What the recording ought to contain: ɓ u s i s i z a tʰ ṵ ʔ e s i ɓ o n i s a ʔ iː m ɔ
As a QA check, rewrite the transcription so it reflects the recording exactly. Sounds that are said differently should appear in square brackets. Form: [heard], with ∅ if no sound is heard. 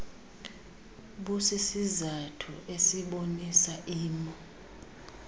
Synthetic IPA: ɓ u s i s i z a tʰ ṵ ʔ e s i ɓ o n i s a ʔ iː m ɔ